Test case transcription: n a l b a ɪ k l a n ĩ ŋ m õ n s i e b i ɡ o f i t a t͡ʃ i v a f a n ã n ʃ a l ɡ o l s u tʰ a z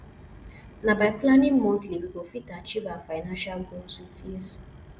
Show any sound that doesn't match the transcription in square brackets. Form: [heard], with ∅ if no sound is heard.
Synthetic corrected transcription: n a [∅] b a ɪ [p] l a n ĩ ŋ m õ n [t] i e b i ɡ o f i t a t͡ʃ i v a f a n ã n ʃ a l ɡ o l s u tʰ [i] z